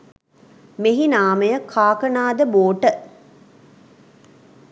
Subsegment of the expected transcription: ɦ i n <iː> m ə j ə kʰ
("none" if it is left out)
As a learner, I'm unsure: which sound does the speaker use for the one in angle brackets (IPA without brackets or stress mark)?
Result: aː